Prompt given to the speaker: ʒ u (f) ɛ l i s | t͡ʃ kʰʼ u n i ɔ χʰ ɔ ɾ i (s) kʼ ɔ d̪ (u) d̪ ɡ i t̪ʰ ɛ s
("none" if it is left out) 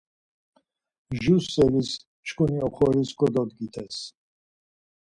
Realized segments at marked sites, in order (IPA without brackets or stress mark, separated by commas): s, s, ɔ